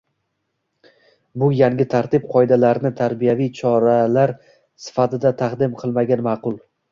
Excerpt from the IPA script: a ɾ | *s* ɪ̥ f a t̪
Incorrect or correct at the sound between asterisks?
correct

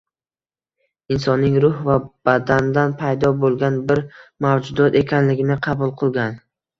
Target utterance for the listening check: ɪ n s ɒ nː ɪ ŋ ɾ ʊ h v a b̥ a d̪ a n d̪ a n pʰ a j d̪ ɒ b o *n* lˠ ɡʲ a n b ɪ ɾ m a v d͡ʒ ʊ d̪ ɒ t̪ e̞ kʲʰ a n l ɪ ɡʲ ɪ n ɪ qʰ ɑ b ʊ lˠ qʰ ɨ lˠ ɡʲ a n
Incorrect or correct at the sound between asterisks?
incorrect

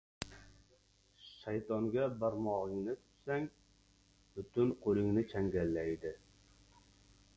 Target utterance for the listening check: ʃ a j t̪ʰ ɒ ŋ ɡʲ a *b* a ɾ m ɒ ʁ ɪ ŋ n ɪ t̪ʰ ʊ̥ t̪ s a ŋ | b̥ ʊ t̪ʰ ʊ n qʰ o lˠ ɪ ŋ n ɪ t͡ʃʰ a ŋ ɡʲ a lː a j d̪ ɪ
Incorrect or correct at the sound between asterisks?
correct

